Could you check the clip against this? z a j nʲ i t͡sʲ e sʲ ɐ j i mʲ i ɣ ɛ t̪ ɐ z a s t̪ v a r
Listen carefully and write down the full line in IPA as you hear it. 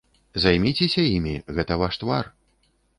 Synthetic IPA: z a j mʲ i t͡sʲ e sʲ ɐ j i mʲ i ɣ ɛ t̪ ɐ v a ʂ t̪ v a r